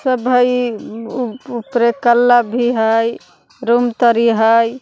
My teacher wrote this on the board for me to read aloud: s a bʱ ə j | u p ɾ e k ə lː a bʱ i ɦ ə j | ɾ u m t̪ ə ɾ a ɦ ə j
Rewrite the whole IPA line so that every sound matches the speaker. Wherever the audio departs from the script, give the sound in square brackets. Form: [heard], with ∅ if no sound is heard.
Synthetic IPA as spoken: s [ə] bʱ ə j | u p ɾ e k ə lː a bʱ i ɦ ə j | ɾ u m t̪ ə ɾ [i] ɦ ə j